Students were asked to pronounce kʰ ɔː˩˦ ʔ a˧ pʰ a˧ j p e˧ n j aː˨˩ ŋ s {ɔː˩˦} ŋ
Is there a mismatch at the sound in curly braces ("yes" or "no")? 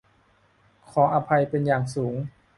yes